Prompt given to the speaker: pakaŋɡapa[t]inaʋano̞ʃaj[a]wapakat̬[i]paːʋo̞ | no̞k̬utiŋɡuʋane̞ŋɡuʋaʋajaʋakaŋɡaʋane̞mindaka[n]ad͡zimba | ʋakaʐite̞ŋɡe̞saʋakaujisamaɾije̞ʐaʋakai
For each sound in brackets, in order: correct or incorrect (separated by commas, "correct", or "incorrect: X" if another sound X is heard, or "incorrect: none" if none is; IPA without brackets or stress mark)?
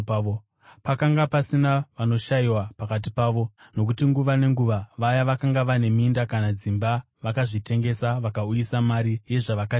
incorrect: s, incorrect: i, correct, correct